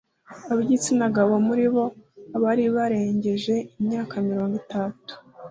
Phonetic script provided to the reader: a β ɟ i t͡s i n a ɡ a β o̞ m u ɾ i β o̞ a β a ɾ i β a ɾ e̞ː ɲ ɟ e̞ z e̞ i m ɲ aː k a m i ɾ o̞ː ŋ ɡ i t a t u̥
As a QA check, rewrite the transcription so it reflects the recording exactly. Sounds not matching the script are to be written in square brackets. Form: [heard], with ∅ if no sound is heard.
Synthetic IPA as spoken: a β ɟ i t͡s i n a ɡ a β o̞ m u ɾ i β o̞ a β a ɾ i β a ɾ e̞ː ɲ ɟ e̞ [ʒ] e̞ i m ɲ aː k a m i ɾ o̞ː ŋ ɡ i t a t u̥